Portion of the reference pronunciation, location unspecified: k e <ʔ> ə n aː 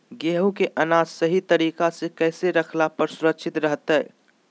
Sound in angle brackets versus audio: correct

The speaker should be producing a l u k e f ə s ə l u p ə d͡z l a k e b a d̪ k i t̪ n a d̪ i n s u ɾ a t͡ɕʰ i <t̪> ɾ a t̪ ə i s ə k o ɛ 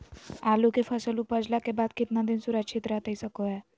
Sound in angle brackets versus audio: correct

